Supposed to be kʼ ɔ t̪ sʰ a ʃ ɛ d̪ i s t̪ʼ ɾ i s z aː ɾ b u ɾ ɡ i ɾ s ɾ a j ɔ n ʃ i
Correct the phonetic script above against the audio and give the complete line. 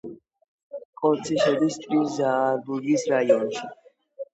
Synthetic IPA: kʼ ɔ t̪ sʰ i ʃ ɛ d̪ i s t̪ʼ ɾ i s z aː ɾ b u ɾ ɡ i s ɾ a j ɔ n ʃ i